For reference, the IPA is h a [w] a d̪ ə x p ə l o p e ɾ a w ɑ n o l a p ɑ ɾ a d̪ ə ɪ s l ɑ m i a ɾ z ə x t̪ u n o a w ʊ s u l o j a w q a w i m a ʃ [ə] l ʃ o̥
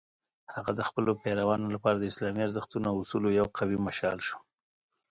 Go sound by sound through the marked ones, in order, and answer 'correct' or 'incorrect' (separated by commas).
incorrect, incorrect